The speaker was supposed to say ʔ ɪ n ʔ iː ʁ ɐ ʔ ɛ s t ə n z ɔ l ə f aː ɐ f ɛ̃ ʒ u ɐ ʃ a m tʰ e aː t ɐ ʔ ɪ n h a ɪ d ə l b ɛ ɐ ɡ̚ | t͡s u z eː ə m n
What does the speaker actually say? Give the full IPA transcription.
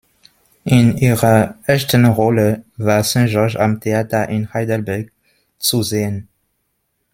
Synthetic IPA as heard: ʔ ɪ n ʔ iː ʁ ɐ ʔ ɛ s t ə n ʁ ɔ l ə v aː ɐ s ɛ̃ ʒ ɔ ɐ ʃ a m tʰ e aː t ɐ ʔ ɪ n h a ɪ d ə l b ɛ ɐ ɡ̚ | t͡s u z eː ə n